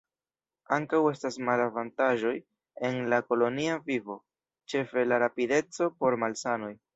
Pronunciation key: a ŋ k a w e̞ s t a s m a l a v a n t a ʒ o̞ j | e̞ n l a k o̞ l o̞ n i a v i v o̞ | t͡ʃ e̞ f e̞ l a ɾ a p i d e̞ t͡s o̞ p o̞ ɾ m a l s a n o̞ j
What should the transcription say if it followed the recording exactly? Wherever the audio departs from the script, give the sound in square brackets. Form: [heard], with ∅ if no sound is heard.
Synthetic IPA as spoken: a ŋ k a w e̞ s t a s m a l a v a n t a ʒ o̞ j | e̞ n l a k o̞ l o̞ n i a v i v o̞ | t͡ʃ e̞ f e̞ l a ɾ a p i d e̞ t͡s o̞ p o̞ ɾ m a l s a n o̞ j